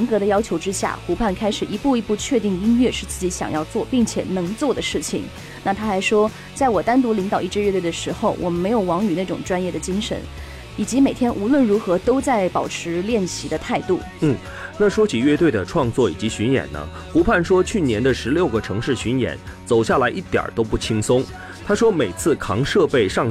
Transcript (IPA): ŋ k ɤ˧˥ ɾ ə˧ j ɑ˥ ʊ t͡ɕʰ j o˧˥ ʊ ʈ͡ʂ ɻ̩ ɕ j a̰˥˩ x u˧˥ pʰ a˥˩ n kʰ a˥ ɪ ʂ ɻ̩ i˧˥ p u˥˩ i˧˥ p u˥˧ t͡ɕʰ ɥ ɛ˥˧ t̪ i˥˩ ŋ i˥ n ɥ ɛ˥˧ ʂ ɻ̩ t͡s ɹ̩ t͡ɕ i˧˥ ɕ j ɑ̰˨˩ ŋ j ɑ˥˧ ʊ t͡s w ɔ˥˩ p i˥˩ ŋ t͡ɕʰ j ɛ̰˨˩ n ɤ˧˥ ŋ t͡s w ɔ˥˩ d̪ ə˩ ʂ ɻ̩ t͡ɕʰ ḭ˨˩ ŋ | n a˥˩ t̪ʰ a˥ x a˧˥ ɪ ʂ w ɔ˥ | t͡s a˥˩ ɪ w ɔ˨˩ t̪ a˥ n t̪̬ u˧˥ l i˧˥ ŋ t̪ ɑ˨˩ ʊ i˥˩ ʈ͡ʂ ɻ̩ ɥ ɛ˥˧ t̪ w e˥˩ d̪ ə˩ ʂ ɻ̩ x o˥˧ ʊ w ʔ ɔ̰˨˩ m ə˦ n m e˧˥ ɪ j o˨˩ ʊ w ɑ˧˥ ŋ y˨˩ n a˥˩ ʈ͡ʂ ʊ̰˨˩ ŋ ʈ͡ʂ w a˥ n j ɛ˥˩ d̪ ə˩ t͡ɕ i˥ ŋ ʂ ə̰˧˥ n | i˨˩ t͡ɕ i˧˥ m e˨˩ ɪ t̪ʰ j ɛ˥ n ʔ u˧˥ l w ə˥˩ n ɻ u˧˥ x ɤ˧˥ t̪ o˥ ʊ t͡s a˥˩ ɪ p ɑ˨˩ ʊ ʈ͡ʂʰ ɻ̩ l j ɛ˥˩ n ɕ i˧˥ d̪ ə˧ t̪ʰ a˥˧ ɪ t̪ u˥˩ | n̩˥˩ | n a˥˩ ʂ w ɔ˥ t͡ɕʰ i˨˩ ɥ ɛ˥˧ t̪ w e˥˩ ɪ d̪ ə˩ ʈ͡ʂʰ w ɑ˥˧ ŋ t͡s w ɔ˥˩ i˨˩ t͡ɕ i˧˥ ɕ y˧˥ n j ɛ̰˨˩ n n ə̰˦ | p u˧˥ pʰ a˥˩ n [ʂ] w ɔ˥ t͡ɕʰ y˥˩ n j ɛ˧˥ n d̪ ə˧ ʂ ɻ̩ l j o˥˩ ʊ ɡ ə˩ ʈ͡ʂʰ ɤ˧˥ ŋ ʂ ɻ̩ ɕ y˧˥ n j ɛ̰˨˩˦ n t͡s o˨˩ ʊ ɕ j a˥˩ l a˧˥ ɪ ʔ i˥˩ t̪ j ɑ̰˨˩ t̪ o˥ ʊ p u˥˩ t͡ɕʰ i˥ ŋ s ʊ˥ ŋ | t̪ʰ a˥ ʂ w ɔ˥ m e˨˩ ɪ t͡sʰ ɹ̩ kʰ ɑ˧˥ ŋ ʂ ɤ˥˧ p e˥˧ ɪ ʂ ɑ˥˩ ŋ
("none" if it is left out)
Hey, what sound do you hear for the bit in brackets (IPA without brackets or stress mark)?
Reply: ʂ